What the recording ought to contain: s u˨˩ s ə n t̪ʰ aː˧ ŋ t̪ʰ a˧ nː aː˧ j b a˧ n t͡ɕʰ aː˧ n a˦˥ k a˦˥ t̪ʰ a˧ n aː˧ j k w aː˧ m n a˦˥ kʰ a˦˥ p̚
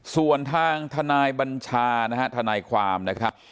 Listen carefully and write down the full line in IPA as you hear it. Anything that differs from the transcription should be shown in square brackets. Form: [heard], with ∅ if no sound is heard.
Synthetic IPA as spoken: s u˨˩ [∅] ə n t̪ʰ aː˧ ŋ t̪ʰ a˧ [n] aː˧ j b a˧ n t͡ɕʰ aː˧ n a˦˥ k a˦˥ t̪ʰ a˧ n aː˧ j [kʰ] w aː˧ m n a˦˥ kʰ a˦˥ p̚